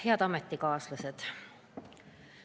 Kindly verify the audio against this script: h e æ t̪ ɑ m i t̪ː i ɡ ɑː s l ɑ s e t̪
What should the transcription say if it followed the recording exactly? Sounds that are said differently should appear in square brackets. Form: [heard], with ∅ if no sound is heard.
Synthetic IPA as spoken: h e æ t̪ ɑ m [e] t̪ː i [k] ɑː s l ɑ s e t̪